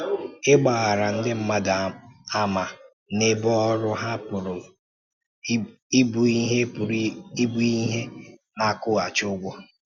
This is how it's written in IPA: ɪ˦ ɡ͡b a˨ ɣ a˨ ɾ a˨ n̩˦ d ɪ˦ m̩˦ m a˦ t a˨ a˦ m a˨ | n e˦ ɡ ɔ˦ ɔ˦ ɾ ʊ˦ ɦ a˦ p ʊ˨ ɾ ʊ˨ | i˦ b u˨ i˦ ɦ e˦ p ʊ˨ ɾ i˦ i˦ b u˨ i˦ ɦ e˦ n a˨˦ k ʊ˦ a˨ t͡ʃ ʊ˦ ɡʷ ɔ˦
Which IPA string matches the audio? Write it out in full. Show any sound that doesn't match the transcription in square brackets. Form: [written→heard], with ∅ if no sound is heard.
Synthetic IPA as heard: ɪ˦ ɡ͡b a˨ ɣ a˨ ɾ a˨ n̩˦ d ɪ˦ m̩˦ m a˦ [t→d] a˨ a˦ m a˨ | n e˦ [ɡ→b] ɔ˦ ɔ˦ ɾ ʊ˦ ɦ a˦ p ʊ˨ ɾ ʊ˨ | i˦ b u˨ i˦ ɦ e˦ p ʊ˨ ɾ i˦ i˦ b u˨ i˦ ɦ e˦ n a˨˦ k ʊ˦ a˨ t͡ʃ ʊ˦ ɡʷ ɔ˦